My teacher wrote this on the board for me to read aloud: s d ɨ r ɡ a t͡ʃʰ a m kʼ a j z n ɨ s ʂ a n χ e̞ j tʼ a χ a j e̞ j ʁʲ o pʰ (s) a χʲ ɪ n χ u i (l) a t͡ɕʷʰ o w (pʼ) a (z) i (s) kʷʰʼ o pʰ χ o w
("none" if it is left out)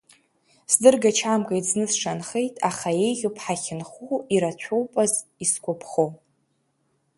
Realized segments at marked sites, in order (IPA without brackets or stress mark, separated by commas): ħ, ɾ, pʼ, z, s